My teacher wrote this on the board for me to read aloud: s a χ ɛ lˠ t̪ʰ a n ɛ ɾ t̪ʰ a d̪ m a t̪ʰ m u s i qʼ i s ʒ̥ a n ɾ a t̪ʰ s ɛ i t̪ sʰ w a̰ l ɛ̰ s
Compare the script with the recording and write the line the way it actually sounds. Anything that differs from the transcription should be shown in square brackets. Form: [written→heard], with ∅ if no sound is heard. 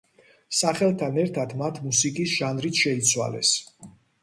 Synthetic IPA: s a χ ɛ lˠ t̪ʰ a n ɛ ɾ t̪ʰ a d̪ m a t̪ʰ m u s i [qʼ→kʼ] i s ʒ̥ a n ɾ [a→i] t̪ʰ [s→ʃ] ɛ i t̪ sʰ w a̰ l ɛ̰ s